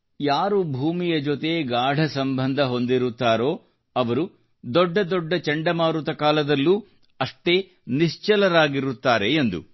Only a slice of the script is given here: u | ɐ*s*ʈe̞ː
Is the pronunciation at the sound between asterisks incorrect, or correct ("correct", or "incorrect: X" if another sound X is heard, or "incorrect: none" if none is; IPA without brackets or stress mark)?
incorrect: ʂ